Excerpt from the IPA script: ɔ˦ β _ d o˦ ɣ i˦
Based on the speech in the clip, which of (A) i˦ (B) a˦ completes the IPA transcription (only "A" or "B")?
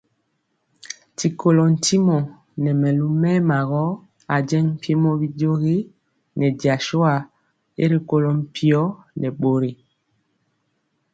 A